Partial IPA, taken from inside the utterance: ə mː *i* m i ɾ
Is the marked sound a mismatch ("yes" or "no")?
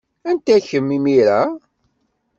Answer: no